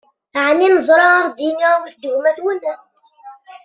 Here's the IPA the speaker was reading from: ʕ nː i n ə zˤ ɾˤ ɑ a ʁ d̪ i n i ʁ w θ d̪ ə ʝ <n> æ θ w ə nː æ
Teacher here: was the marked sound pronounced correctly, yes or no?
no